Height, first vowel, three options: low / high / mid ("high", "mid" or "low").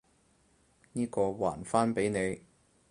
high